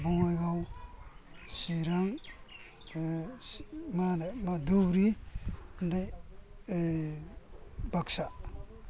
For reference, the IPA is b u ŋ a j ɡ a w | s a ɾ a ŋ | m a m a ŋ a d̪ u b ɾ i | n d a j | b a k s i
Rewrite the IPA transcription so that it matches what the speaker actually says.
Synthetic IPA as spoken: b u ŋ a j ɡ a w | s i ɾ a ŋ | m a n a m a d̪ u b ɾ i | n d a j | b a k s a